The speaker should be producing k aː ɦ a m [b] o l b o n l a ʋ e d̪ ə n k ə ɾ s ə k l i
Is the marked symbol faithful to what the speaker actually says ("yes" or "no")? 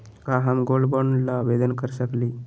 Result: no